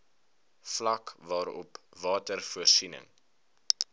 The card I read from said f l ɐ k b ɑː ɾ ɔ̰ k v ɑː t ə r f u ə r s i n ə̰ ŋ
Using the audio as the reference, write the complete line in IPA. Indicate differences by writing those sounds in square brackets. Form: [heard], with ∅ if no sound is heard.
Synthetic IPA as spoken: f l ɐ k [v] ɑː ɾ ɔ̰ [p] v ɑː t ə r f u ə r s i n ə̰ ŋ